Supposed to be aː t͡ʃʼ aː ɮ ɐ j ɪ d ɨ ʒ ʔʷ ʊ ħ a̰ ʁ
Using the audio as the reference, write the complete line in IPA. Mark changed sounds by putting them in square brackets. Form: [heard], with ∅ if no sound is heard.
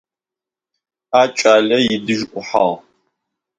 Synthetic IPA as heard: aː t͡ʃʼ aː ɮ ɐ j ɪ d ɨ ʒ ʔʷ ʊ ħ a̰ ʁ

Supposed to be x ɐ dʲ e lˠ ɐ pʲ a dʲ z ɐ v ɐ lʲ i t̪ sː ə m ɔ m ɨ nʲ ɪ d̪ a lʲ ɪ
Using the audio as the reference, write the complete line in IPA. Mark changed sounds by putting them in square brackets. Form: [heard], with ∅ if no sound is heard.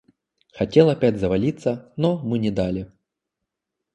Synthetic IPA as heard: x ɐ [tʲ] e lˠ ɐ pʲ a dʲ z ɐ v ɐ lʲ i t̪ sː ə [n] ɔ m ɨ nʲ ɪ d̪ a lʲ ɪ

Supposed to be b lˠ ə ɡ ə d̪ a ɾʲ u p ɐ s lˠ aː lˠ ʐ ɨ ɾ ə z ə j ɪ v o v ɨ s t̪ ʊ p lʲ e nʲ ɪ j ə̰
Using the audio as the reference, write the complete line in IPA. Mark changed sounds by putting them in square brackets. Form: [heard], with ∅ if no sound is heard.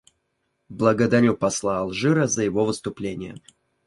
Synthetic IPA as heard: b lˠ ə ɡ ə d̪ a ɾʲ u p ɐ s lˠ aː lˠ ʐ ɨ ɾ ə z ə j ɪ v o v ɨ s t̪ ʊ p lʲ e nʲ ɪ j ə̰

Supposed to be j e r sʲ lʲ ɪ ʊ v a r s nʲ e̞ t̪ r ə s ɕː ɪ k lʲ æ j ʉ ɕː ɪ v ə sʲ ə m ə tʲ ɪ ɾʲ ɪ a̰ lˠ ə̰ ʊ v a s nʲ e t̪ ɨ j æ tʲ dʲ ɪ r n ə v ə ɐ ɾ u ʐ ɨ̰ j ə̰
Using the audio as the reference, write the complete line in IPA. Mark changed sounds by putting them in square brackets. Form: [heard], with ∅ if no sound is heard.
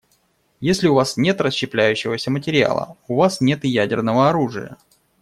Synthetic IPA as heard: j e [∅] sʲ lʲ ɪ ʊ v a [∅] s nʲ e̞ t̪ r ə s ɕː ɪ [p] lʲ æ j ʉ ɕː ɪ v ə sʲ ə m ə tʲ ɪ ɾʲ ɪ a̰ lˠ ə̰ ʊ v a s nʲ e t̪ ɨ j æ [∅] dʲ ɪ r n ə v ə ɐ ɾ u ʐ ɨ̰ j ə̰

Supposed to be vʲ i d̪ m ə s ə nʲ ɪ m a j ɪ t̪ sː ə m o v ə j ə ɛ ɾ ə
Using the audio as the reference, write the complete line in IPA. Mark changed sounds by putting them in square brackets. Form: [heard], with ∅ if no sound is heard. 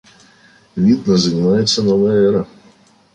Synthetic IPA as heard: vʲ i d̪ [n] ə [z] ə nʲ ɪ m a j ɪ t̪ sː ə [n] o v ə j ə ɛ ɾ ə

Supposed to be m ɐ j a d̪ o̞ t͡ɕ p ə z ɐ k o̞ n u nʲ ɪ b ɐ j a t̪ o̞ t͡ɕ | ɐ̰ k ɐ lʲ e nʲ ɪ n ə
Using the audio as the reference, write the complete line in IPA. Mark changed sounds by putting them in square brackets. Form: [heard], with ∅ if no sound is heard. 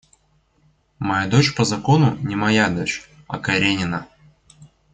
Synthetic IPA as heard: m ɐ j a d̪ o̞ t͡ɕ p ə z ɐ k o̞ n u nʲ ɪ [m] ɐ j a [d̪] o̞ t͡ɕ | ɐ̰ k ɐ [ɾʲ] e nʲ ɪ n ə

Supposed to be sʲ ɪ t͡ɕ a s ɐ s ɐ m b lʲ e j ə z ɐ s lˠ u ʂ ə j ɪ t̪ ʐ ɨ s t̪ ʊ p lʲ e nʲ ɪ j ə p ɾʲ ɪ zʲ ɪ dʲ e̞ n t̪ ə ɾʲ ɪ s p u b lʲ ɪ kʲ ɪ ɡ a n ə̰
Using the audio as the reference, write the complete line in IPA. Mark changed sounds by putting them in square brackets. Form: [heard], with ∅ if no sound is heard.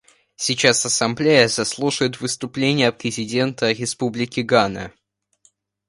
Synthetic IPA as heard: sʲ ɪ t͡ɕ a s ɐ s ɐ m b lʲ e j ə z ɐ s lˠ u ʂ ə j ɪ t̪ [v] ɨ s t̪ ʊ p lʲ e nʲ ɪ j ə p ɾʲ ɪ zʲ ɪ dʲ e̞ n t̪ ə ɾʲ ɪ s p u b lʲ ɪ kʲ ɪ ɡ a n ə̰

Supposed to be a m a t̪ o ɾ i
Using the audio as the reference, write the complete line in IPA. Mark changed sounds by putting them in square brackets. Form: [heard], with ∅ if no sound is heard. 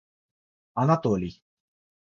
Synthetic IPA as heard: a [n] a t̪ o [l] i

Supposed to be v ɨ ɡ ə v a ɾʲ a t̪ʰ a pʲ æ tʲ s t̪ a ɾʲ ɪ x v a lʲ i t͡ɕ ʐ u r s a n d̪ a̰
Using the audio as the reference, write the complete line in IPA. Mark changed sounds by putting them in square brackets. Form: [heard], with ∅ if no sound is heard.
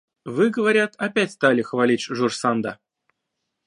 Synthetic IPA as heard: v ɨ ɡ ə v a ɾʲ a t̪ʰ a pʲ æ tʲ s t̪ a [lʲ] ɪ x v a lʲ i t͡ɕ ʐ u r s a n d̪ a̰

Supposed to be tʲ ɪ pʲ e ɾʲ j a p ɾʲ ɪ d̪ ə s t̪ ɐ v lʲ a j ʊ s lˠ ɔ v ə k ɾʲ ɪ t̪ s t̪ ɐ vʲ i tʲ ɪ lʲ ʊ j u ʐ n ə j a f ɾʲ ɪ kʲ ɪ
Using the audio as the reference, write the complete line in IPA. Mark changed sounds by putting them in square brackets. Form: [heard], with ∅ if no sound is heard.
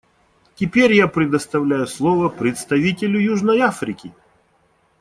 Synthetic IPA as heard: tʲ ɪ pʲ e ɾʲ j a p ɾʲ ɪ d̪ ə s t̪ ɐ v lʲ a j ʊ s lˠ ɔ v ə [p] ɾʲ ɪ t̪ s t̪ ɐ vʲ i tʲ ɪ lʲ ʊ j u ʐ n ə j a f ɾʲ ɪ kʲ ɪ

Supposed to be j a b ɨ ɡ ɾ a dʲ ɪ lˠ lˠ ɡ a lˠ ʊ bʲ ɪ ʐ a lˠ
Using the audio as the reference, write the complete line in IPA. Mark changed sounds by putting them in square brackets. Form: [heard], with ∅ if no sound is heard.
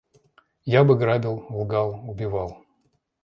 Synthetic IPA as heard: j a b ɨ ɡ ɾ a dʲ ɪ lˠ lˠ ɡ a lˠ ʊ bʲ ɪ [v] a lˠ

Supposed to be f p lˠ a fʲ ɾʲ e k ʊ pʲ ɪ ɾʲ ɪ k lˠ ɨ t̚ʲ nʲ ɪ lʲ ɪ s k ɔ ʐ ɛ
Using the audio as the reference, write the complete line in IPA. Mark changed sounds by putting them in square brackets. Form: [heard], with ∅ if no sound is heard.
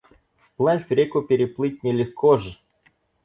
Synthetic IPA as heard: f p lˠ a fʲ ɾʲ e k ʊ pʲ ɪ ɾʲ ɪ [p] lˠ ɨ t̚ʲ nʲ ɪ lʲ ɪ [x] k ɔ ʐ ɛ

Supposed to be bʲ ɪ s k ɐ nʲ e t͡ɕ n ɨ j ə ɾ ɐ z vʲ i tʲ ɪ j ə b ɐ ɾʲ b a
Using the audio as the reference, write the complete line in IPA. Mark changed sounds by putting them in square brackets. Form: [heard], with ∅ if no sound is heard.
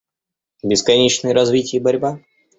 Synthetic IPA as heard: bʲ ɪ s k ɐ nʲ e t͡ɕ n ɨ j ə ɾ ɐ z vʲ i tʲ ɪ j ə b ɐ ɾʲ b a

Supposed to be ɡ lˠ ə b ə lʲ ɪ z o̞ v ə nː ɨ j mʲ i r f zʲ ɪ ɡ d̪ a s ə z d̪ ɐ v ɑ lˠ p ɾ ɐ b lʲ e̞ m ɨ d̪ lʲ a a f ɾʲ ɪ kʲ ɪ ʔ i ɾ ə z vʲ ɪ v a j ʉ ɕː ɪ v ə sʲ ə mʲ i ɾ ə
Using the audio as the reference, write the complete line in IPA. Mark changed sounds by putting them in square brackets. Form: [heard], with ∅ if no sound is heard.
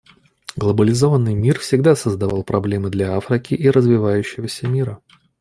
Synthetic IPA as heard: ɡ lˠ ə b ə lʲ ɪ z o̞ v ə nː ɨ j mʲ i r f [sʲ] ɪ ɡ d̪ a s ə z d̪ ɐ v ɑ lˠ p ɾ ɐ b lʲ e̞ m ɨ d̪ lʲ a a f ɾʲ ɪ kʲ ɪ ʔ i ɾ ə z vʲ ɪ v a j ʉ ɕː ɪ v ə sʲ ə mʲ i ɾ ə

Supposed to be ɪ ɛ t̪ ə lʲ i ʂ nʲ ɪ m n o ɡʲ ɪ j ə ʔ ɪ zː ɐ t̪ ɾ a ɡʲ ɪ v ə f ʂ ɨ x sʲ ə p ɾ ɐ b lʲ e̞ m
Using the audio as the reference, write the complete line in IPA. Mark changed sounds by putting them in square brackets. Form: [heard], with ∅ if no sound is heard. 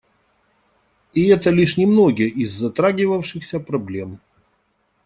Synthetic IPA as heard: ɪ ɛ t̪ ə lʲ i ʂ nʲ ɪ m n o ɡʲ ɪ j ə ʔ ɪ zː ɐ t̪ ɾ a ɡʲ ɪ v ə f ʂ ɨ x sʲ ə p ɾ ɐ b lʲ e̞ m

